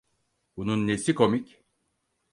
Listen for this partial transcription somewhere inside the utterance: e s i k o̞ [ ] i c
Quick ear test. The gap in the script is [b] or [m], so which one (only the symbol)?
m